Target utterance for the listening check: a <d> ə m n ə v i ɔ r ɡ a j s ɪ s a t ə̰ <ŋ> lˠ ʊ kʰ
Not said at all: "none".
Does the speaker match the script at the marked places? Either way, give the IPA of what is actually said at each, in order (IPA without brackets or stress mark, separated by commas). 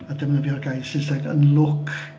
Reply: d, n